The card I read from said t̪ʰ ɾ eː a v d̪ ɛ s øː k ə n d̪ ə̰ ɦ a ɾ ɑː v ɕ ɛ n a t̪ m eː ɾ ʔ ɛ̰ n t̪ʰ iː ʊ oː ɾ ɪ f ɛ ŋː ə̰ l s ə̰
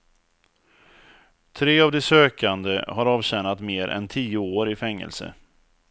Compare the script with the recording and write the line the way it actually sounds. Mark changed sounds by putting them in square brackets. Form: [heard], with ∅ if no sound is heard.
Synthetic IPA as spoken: t̪ʰ ɾ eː a v d̪ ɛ s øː k [a] n d̪ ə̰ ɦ a ɾ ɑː v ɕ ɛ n a t̪ m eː ɾ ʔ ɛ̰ n t̪ʰ iː ʊ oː ɾ ɪ f ɛ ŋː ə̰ l s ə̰